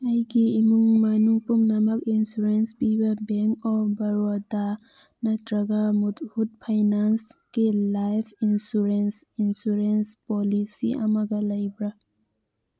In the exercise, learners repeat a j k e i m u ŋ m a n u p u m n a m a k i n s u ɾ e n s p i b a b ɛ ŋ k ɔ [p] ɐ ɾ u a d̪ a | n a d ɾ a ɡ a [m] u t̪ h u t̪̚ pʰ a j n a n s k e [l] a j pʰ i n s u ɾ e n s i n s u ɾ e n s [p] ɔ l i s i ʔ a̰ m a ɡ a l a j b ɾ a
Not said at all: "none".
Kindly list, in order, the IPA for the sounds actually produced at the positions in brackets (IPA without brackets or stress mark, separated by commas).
b, m, l, p